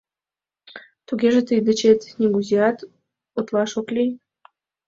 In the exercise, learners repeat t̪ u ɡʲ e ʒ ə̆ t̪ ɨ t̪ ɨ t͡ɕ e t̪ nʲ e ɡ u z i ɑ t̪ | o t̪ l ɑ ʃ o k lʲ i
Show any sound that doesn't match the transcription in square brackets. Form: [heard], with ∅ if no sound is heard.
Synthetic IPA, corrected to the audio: t̪ u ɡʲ e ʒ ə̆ t̪ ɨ [d̪] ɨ t͡ɕ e t̪ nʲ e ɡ u z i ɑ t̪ | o t̪ l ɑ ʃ o k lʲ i